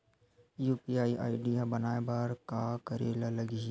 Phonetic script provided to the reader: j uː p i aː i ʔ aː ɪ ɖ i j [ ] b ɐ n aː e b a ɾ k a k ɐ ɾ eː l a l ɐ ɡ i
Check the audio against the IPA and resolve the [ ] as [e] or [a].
a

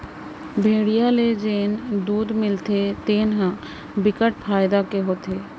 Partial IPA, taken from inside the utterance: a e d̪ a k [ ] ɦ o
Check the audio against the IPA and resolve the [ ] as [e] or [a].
e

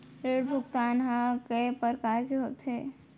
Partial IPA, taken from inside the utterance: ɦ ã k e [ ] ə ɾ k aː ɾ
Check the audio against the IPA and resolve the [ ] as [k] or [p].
p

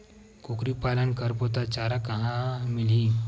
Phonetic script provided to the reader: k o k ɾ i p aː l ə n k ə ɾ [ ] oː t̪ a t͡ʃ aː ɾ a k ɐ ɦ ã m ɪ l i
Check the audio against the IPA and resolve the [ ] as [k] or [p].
p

